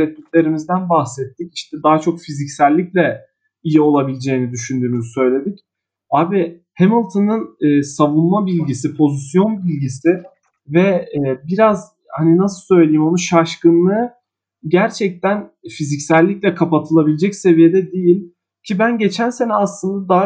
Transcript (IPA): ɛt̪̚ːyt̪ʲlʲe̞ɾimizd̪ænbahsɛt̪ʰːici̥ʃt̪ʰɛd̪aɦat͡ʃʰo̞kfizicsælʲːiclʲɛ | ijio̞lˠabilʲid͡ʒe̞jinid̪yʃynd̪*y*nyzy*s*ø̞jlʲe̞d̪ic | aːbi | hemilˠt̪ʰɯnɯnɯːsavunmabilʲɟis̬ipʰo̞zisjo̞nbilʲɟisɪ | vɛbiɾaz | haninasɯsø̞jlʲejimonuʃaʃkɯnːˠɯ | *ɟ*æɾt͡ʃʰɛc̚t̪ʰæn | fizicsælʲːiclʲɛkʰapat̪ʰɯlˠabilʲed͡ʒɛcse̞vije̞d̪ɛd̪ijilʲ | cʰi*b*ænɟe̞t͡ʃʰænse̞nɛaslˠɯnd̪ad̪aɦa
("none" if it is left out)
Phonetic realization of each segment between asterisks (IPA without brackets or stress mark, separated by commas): yː, s, ɟ, b